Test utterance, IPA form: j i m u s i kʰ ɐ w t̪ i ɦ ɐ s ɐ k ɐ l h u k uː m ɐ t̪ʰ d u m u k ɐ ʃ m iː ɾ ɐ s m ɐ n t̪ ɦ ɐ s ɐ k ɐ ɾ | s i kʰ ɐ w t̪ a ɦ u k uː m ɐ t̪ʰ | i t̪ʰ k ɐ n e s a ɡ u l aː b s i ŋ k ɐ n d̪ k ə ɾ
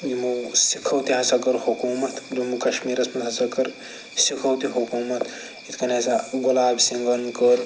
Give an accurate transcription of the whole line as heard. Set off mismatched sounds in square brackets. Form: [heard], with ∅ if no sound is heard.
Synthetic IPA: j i m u s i kʰ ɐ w t̪ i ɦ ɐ s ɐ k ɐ [ɾ] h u k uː m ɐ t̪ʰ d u m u k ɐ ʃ m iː ɾ ɐ s m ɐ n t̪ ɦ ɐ s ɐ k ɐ ɾ | s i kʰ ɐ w t̪ [i] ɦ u k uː m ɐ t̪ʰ | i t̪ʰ k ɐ n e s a ɡ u l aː b s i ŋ [ɡ] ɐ n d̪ k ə ɾ